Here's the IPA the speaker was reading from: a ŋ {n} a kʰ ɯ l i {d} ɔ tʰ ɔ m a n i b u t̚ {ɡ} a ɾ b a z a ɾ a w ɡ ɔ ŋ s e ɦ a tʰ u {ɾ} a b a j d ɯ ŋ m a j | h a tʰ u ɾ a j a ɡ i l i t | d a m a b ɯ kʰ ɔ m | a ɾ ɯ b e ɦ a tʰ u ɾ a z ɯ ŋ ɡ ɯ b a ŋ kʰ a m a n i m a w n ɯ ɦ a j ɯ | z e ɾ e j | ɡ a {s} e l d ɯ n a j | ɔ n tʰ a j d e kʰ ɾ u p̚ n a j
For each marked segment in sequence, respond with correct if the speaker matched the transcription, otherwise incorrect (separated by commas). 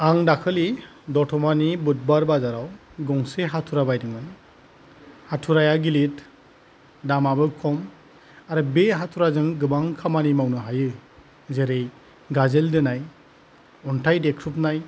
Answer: incorrect, correct, incorrect, correct, incorrect